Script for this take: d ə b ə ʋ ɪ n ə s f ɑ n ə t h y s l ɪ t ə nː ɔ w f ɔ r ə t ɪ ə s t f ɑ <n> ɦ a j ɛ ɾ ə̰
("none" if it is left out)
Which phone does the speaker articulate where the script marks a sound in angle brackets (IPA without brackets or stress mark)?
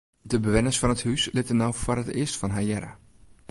n